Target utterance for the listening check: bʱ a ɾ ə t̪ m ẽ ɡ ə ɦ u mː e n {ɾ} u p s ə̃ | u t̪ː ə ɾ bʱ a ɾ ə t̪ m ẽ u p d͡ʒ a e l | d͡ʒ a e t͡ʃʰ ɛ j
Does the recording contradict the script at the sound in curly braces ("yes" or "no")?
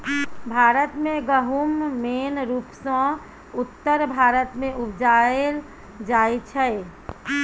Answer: no